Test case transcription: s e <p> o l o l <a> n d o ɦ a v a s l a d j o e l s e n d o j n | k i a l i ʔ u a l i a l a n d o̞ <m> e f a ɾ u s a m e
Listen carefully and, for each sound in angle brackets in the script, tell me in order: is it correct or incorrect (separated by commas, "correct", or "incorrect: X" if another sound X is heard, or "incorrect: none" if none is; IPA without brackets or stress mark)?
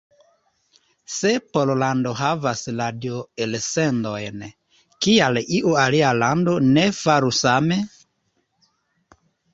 correct, correct, incorrect: n